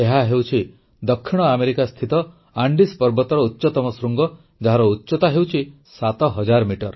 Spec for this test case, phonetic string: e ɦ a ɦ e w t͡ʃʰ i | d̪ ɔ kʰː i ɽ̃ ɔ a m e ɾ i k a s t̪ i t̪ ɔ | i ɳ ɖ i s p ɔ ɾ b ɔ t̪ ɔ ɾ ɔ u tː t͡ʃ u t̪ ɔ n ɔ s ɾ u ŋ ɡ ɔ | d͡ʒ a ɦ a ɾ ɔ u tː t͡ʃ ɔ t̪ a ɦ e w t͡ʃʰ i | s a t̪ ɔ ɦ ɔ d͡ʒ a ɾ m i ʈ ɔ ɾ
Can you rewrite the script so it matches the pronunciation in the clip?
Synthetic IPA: e ɦ a ɦ e w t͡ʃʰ i | d̪ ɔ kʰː i ɽ̃ ɔ a m e ɾ i k a s t̪ʰ i t̪ ɔ | a ɳ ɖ i s p ɔ ɾ b ɔ t̪ ɔ ɾ ɔ u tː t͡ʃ ɔ t̪ ɔ m ɔ s ɾ u ŋ ɡ ɔ | d͡ʒ a ɦ a ɾ ɔ u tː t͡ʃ ɔ t̪ a ɦ e w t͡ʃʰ i | s a t̪ ɔ ɦ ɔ d͡ʒ a ɾ m i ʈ ɔ ɾ

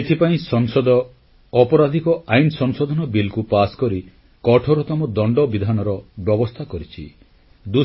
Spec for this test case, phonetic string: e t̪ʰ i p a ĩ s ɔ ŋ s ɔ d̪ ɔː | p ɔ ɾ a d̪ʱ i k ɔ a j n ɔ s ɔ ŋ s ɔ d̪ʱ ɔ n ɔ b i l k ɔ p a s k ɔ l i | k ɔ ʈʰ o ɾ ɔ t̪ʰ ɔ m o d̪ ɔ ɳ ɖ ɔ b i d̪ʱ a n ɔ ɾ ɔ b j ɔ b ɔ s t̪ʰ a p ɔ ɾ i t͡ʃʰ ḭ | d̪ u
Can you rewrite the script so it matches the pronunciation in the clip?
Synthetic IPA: e t̪ʰ i p a ĩ s ɔ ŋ s ɔ d̪ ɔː | p ɔ ɾ a d̪ʱ i k ɔ a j n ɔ s ɔ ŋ s ɔ d̪ʱ ɔ n ɔ b i l k u p a s k ɔ ɾ i | k ɔ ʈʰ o ɾ ɔ t̪ ɔ m ɔ d̪ ɔ ɳ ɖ ɔ b i d̪ʱ a n ɔ ɾ ɔ b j ɔ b ɔ s t̪ʰ a k ɔ ɾ i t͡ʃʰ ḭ | d̪ u

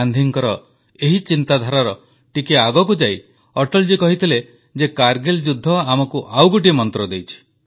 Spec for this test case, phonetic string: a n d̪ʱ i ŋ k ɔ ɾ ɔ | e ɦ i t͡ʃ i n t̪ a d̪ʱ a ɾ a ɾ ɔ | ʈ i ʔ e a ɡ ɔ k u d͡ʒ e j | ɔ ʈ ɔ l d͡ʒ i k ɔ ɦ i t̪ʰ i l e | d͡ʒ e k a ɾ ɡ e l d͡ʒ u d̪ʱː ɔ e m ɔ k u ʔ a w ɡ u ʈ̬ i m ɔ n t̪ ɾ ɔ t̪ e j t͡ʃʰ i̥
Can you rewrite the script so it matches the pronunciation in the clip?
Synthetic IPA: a n d̪ʱ i ŋ k ɔ ɾ ɔ | e ɦ i t͡ʃ i n t̪ a d̪ʱ a ɾ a ɾ ɔ | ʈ i k e a ɡ ɔ k u d͡ʒ a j | ɔ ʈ ɔ l d͡ʒ i k ɔ ɦ i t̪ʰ i l e | d͡ʒ e k a ɾ ɡ e l d͡ʒ u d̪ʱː ɔ a m ɔ k u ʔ a w ɡ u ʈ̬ i m ɔ n t̪ ɾ ɔ d̪ e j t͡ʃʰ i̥

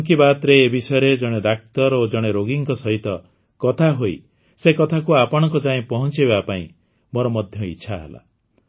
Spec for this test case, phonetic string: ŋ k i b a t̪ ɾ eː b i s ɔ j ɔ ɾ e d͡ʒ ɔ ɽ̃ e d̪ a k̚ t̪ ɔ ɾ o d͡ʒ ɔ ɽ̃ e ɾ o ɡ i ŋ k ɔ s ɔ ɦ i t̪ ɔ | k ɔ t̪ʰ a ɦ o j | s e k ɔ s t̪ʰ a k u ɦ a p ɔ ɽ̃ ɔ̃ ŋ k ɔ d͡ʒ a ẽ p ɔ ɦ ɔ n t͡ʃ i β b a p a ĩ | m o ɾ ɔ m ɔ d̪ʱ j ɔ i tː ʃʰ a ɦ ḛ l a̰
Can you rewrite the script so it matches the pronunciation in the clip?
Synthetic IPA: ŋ k i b a t̪ ɾ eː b i s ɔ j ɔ ɾ e d͡ʒ ɔ ɽ̃ e d̪ a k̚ t̪ ɔ ɾ o d͡ʒ ɔ ɽ̃ e ɾ o ɡ i ŋ k ɔ s ɔ ɦ i t̪ ɔ | k ɔ t̪ʰ a ɦ o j | s e k ɔ t̪ʰ a k u a p ɔ ɽ̃ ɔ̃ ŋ k ɔ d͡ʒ a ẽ p ɔ ɦ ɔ n t͡ʃ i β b a p a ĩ | m o ɾ ɔ m ɔ d̪ʱ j ɔ i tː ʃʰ a ɦ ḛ l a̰

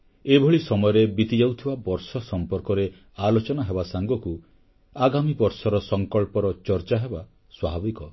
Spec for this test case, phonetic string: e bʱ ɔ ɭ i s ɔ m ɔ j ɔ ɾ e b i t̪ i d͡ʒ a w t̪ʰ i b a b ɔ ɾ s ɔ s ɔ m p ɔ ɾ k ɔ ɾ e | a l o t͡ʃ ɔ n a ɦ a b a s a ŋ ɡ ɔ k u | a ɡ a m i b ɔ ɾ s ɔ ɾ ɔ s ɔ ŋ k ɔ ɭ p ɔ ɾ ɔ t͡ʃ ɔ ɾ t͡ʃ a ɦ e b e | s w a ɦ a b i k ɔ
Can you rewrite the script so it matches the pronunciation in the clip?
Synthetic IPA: e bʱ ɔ ɭ i s ɔ m ɔ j ɔ ɾ e b i t̪ i d͡ʒ a w t̪ʰ i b a b ɔ ɾ s ɔ s ɔ m p ɔ ɾ k ɔ ɾ e | a l o t͡ʃ ɔ n a ɦ e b a s a ŋ ɡ ɔ k u | a ɡ a m i b ɔ ɾ s ɔ ɾ ɔ s ɔ ŋ k ɔ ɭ p ɔ ɾ ɔ t͡ʃ ɔ ɾ t͡ʃ a ɦ e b a | s w a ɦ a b i k ɔ

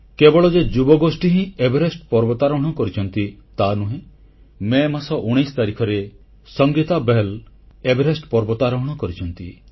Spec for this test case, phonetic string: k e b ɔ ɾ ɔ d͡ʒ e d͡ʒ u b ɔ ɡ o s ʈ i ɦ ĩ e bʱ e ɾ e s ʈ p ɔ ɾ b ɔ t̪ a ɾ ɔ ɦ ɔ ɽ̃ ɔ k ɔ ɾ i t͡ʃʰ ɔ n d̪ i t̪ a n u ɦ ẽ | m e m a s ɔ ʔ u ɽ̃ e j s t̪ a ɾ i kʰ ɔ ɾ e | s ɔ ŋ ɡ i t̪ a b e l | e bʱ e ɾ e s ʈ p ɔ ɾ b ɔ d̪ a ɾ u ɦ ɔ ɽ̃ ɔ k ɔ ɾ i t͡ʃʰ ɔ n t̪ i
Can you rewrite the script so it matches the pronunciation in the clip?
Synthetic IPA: k e b ɔ ɭ ɔ d͡ʒ e d͡ʒ u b ɔ ɡ o s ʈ i ɦ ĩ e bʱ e ɾ e s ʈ p ɔ ɾ b ɔ t̪ a ɾ ɔ ɦ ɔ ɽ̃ ɔ k ɔ ɾ i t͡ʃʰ ɔ n t̪ i t̪ a n u ɦ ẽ | m e m a s ɔ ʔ u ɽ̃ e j s t̪ a ɾ i kʰ ɔ ɾ e | s ɔ ŋ ɡ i t̪ a b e l | e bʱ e ɾ e s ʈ p ɔ ɾ b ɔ t̪ a ɾ ɔ ɦ ɔ ɽ̃ ɔ k ɔ ɾ i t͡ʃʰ ɔ n t̪ i

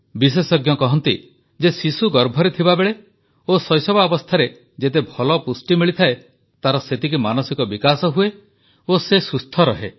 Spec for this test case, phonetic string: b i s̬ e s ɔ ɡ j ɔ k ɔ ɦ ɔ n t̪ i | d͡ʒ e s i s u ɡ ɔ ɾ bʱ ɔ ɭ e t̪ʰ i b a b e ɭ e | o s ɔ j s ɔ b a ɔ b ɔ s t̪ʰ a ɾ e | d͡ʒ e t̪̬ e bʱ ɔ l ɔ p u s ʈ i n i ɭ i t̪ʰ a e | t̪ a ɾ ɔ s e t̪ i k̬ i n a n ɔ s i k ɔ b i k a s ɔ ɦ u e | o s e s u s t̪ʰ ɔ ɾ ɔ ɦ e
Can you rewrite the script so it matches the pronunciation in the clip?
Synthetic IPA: b i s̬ e s ɔ ɡ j ɔ k ɔ ɦ ɔ n t̪ i | d͡ʒ e s i s u ɡ ɔ ɾ bʱ ɔ ɾ e t̪ʰ i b a b e ɭ e | o s ɔ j s ɔ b a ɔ b ɔ s t̪ʰ a ɾ e | d͡ʒ e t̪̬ e bʱ ɔ l ɔ p u s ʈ i m i ɭ i t̪ʰ a e | t̪ a ɾ ɔ s e t̪ i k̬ i m a n ɔ s i k ɔ b i k a s ɔ ɦ u e | o s e s u s t̪ʰ ɔ ɾ ɔ ɦ e

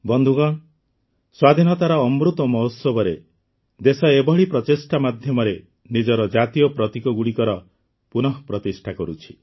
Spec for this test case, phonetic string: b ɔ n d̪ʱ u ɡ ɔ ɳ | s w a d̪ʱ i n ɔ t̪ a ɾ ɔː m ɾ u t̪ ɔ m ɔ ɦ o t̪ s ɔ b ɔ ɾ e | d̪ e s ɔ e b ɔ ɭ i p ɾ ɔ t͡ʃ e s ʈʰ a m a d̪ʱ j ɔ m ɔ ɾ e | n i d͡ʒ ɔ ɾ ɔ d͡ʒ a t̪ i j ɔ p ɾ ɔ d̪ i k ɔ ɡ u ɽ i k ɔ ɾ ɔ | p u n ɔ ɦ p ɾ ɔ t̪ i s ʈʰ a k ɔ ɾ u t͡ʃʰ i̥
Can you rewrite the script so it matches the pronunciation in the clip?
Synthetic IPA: b ɔ n d̪ʱ u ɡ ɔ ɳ | s w a d̪ʱ i n ɔ t̪ a ɾ ɔː m ɾ u t̪ ɔ m ɔ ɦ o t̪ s ɔ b ɔ ɾ e | d̪ e s ɔ e b ɔ ɭ i p ɾ ɔ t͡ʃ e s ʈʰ a m a d̪ʱ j ɔ m ɔ ɾ e | n i d͡ʒ ɔ ɾ ɔ d͡ʒ a t̪ i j ɔ p ɾ ɔ t̪ i k ɔ ɡ u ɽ i k ɔ ɾ ɔ | p u n ɔ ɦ p ɾ ɔ t̪ i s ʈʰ a k ɔ ɾ u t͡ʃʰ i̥

